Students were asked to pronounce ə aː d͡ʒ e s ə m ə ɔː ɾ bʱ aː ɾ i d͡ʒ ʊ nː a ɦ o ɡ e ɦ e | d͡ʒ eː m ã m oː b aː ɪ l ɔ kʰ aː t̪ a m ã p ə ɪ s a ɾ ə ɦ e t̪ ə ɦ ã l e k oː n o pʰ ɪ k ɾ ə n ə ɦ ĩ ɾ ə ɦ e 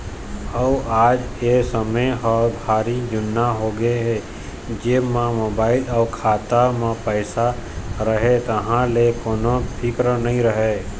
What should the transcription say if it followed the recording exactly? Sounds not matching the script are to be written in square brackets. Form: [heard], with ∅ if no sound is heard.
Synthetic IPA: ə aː d͡ʒ e s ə m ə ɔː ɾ bʱ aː ɾ i d͡ʒ ʊ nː a ɦ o ɡ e ɦ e | d͡ʒ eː m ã m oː b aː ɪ l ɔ kʰ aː t̪ a m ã p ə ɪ s a ɾ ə ɦ e t̪ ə ɦ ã l e k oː n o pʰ ɪ k ɾ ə n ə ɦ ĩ ɾ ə ɦ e